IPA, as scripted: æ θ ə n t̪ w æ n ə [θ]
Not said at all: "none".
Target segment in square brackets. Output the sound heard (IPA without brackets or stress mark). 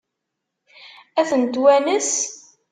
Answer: s